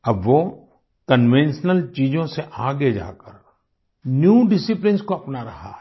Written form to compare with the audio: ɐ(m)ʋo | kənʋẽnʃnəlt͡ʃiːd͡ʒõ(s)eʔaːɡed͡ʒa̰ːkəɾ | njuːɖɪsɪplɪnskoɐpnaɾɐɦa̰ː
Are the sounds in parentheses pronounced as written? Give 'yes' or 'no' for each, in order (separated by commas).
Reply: no, yes